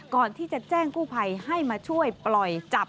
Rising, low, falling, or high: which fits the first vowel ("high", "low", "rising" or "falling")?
low